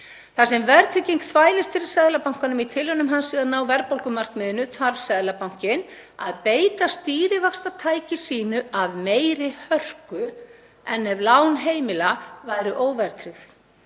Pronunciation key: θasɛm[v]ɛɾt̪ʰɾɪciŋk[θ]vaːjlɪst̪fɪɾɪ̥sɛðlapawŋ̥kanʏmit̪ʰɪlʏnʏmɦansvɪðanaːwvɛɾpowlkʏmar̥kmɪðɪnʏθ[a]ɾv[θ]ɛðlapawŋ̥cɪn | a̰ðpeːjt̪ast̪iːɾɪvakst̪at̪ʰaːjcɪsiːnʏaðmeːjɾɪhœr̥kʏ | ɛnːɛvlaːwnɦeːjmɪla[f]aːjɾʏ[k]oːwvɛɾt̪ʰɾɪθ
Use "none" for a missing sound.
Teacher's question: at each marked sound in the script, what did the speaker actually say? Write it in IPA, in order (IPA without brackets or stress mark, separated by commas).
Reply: v, θ, a, s, v, ʔ